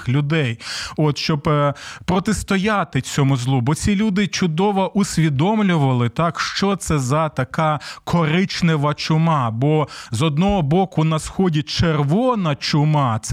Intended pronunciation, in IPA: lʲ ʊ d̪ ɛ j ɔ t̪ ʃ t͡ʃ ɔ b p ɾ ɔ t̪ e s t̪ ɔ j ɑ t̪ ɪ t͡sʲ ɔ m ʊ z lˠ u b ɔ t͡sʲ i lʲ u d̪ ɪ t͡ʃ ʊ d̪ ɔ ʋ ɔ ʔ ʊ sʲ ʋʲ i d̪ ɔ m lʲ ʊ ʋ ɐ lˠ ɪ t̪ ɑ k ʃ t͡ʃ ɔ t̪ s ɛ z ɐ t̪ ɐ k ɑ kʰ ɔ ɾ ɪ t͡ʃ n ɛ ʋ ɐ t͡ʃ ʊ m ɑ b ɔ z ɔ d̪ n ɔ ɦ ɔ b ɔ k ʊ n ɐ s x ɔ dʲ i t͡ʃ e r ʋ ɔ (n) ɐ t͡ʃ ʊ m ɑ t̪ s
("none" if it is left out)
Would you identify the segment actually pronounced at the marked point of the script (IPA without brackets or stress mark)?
n